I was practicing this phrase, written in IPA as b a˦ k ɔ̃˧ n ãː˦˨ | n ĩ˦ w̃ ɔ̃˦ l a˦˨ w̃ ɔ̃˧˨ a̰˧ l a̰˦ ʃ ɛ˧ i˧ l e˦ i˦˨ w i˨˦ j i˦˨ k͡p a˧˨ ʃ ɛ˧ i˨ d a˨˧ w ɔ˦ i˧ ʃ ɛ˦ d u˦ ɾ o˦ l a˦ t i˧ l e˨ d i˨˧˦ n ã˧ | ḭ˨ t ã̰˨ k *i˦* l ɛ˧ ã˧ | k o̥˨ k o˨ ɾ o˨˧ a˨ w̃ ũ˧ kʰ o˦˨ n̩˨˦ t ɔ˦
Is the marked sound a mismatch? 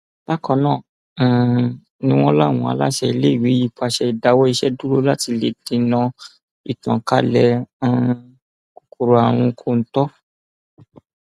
yes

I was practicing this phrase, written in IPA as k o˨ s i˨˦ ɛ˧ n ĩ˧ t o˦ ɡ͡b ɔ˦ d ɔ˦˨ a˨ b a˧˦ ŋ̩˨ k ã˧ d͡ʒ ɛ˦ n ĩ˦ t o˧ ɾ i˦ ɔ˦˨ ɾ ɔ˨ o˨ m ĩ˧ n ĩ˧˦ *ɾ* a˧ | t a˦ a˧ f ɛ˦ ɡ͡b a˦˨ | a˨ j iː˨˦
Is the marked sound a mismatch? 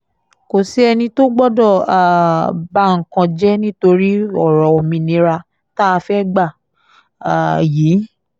no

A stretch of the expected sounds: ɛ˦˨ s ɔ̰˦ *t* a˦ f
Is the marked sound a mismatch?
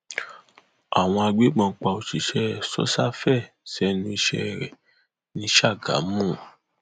yes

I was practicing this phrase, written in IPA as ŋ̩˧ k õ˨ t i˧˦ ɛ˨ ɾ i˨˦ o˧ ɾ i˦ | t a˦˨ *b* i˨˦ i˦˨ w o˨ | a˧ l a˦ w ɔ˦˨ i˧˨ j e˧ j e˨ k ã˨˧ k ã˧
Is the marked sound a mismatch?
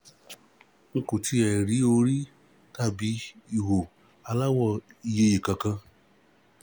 no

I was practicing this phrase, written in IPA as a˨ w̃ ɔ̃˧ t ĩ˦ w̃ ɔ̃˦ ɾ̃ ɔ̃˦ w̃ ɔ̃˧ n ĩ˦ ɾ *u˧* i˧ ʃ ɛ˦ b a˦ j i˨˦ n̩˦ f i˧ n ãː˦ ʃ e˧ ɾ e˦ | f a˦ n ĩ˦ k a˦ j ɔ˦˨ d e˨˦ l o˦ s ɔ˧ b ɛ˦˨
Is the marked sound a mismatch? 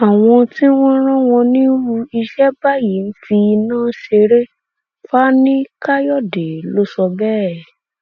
no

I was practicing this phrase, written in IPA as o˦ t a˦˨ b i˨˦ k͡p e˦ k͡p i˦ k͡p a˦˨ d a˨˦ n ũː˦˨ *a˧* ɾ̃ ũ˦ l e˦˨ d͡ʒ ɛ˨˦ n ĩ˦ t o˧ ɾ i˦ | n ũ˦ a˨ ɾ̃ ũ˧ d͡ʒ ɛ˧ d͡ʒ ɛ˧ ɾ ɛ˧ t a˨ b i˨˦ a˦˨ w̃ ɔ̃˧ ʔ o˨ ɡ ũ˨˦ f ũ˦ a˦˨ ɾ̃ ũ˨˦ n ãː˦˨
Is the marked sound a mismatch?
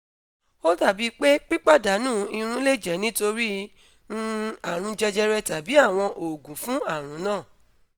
yes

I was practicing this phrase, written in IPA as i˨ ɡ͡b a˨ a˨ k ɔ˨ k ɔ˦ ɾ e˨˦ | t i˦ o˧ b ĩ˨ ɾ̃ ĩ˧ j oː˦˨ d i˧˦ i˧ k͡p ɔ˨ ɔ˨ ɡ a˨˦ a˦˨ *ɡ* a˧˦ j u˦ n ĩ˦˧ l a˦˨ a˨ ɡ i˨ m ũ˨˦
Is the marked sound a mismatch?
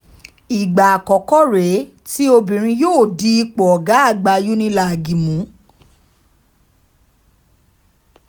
yes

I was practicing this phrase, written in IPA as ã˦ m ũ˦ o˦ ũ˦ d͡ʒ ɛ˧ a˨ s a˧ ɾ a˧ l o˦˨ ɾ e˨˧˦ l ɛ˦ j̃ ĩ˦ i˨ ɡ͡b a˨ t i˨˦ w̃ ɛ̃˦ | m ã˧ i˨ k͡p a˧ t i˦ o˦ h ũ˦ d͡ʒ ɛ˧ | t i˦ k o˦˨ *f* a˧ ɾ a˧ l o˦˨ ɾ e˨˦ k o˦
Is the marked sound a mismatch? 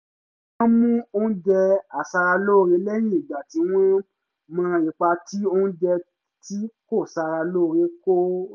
yes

